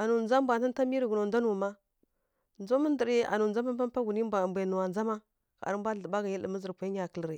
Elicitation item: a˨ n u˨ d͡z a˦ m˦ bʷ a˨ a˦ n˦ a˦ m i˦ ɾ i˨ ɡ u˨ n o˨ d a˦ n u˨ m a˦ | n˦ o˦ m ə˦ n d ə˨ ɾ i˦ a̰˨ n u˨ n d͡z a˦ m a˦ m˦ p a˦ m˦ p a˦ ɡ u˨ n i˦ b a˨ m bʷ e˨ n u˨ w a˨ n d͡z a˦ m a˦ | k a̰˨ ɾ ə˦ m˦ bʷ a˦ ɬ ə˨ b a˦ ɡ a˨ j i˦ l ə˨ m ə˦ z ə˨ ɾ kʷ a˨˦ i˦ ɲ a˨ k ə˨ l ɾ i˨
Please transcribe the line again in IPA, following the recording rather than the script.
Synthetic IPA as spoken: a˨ n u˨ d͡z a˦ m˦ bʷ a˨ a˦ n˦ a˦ m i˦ ɾ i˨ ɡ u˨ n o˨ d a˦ n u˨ m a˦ | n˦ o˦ m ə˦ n d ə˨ ɾ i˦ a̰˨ n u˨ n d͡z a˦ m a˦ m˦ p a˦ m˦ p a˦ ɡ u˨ n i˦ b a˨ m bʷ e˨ n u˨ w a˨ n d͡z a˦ m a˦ | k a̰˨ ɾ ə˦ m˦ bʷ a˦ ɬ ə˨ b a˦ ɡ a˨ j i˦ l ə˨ m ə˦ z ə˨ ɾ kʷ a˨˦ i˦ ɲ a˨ k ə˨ l ɾ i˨